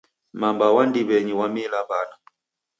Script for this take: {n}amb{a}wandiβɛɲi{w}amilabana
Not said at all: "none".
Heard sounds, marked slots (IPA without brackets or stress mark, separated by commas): m, a, w